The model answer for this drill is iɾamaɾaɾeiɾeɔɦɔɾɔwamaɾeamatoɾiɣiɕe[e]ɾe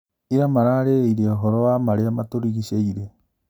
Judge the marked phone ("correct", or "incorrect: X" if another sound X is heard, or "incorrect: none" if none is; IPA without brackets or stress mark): incorrect: i